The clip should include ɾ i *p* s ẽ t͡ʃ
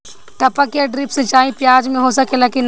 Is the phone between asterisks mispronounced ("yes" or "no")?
no